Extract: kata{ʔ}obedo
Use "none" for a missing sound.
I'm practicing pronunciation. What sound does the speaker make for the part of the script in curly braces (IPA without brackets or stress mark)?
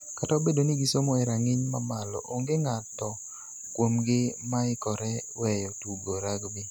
none